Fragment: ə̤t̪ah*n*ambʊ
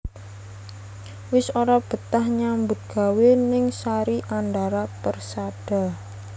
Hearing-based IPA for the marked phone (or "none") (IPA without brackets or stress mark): ɲ